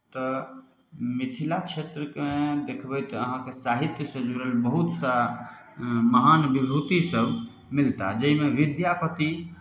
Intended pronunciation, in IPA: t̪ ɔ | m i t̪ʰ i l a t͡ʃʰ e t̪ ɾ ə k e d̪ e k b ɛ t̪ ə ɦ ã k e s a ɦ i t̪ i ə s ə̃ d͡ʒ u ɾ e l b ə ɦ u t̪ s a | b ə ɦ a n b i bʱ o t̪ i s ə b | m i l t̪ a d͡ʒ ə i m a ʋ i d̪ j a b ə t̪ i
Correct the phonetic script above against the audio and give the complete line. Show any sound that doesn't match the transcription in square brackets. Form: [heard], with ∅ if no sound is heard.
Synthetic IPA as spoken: t̪ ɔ | m i t̪ʰ i l a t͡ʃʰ e t̪ ɾ ə k e d̪ e [kʰ] b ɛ t̪ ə ɦ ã k e s a ɦ i t̪ [j] ə s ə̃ d͡ʒ u ɾ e l b ə ɦ u t̪ s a | [m] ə ɦ a n b i bʱ [u] t̪ i s ə b | m i l t̪ a d͡ʒ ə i m [e] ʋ i d̪ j a [p] ə t̪ i

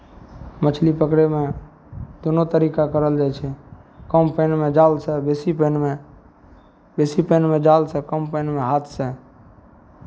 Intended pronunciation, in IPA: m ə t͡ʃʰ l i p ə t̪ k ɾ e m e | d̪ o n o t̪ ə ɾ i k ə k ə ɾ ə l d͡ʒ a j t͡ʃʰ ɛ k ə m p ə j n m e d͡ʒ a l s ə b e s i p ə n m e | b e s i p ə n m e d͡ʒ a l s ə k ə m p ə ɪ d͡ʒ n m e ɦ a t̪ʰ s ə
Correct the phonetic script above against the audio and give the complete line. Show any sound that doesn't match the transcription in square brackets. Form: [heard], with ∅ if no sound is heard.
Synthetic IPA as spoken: m ə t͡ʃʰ l i p ə [∅] k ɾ e m e | d̪ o n o t̪ ə ɾ i k [a] k ə ɾ ə l d͡ʒ a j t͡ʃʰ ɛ k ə m p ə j n m e d͡ʒ a l s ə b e s i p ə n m e | b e s i p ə n m e d͡ʒ a l s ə k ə m p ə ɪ [∅] n m e ɦ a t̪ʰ s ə

